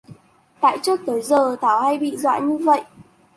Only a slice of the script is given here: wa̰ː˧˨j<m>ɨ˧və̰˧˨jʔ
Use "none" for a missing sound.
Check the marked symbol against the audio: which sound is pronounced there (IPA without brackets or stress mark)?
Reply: ɲ